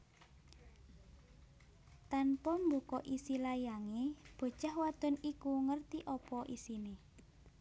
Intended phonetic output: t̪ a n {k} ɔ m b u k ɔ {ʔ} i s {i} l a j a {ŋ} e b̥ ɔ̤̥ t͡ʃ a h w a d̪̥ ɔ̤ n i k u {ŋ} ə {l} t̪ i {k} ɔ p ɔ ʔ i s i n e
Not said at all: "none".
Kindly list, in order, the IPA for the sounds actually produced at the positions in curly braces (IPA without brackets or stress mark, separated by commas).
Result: p, ʔ, i, ŋ, ŋ, r, ʔ